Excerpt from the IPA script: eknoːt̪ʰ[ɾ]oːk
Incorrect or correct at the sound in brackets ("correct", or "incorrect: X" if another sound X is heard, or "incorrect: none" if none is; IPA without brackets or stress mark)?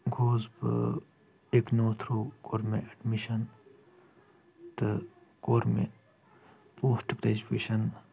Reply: correct